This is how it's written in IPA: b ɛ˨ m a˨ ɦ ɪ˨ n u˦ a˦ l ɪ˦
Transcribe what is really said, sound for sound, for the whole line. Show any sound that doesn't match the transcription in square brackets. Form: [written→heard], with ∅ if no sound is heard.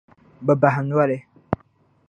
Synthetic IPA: b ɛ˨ [m→b] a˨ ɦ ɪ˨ n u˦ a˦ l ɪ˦